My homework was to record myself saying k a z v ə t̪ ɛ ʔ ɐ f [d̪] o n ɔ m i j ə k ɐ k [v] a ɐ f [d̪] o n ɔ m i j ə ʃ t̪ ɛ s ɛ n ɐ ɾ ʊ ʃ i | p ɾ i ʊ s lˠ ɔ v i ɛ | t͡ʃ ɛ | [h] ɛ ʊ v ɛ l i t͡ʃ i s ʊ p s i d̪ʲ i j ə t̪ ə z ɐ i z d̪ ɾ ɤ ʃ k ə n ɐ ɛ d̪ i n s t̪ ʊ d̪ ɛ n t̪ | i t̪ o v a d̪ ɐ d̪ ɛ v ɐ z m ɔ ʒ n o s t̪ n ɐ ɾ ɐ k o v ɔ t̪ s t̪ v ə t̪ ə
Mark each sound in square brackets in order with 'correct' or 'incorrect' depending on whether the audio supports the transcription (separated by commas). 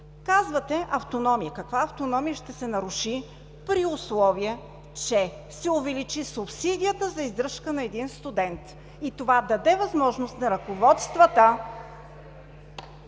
incorrect, correct, incorrect, incorrect